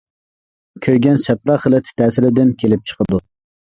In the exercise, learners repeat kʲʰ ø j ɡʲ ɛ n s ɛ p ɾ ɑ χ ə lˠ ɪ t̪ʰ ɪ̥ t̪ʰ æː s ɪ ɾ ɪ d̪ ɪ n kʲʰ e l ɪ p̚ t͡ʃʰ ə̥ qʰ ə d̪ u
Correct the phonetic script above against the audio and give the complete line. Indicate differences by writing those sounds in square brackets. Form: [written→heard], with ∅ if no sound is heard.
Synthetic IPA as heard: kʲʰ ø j ɡʲ ɛ n s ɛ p ɾ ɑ χ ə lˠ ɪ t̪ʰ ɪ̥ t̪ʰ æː s ɪ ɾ ɪ d̪ ɪ n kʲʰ e l ɪ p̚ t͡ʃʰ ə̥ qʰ ə d̪ u